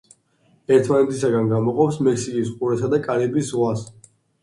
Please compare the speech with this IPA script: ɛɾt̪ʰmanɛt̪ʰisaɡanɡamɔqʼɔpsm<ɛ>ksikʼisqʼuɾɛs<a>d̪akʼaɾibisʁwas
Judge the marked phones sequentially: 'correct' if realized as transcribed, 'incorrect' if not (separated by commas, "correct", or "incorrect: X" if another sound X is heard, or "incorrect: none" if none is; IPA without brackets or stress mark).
correct, correct